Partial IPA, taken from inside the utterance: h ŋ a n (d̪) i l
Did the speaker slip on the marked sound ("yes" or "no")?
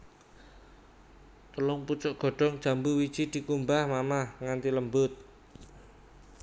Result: yes